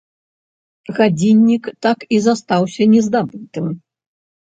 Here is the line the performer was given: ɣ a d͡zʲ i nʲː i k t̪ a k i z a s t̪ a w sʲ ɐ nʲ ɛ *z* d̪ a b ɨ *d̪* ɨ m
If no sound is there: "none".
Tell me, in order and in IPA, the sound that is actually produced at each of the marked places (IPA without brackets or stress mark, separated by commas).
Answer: z, t̪